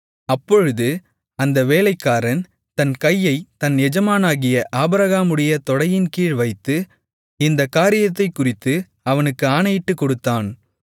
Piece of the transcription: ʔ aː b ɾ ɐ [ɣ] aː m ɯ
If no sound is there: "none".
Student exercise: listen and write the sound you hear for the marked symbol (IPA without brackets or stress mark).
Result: ɣ